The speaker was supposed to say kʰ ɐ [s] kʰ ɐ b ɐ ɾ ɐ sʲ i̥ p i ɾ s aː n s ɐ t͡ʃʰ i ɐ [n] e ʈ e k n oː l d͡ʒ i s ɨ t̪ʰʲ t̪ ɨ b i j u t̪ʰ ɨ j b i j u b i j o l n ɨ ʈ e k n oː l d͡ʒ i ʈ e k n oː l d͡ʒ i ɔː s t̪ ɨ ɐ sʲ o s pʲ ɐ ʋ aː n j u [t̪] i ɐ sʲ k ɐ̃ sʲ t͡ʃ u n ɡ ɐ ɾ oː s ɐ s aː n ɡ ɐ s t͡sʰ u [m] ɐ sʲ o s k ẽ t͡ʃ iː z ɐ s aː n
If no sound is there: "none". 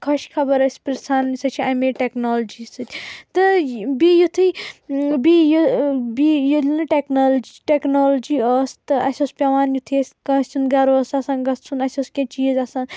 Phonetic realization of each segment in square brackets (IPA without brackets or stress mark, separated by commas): ʃ, m, t̪ʰ, n